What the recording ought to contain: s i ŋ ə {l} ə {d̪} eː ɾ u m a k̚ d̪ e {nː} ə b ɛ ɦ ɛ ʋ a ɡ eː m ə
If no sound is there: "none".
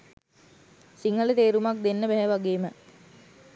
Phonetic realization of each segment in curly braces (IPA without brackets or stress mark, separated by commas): l, t̪, nː